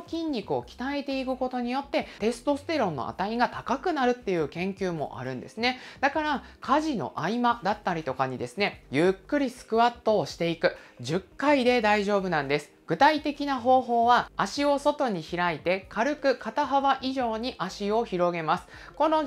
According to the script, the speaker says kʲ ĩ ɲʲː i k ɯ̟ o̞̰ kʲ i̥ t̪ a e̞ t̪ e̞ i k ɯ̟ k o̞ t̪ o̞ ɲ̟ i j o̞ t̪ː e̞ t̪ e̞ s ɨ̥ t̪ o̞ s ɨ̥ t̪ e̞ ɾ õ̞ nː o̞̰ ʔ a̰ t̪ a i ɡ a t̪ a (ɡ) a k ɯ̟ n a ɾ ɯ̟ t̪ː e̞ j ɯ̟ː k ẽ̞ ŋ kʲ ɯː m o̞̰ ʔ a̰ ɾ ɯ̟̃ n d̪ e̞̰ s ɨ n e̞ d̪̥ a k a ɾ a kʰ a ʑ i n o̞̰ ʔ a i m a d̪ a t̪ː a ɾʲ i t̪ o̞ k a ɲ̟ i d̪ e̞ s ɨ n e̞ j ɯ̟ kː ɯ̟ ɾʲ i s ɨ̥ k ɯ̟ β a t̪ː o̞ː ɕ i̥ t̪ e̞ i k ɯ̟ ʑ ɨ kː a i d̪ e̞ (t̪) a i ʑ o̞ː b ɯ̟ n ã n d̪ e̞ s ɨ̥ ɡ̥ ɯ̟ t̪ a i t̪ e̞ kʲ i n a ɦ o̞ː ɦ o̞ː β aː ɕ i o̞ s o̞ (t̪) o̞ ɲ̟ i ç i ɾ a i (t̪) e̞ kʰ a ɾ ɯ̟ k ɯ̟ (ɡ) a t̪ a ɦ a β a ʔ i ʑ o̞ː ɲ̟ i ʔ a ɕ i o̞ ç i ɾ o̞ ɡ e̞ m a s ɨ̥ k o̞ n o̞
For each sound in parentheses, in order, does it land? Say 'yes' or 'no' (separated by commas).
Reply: no, no, yes, yes, no